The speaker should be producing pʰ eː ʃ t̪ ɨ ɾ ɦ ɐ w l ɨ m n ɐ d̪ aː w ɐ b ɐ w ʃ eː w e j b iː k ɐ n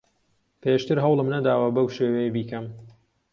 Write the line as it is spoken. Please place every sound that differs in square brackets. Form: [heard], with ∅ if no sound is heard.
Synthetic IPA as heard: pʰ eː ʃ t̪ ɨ ɾ ɦ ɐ w l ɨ m n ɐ d̪ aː w ɐ b ɐ w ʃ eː w e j b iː k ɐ [m]